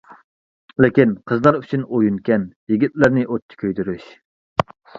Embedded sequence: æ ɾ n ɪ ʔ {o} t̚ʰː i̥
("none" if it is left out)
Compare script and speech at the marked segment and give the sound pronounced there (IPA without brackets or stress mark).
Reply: o